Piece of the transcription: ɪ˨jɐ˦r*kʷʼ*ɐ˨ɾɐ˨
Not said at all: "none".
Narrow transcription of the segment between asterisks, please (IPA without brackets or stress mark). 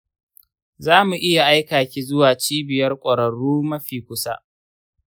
kʷʼ